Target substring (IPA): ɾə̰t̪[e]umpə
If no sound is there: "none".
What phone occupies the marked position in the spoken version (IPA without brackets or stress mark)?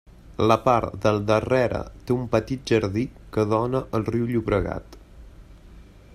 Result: e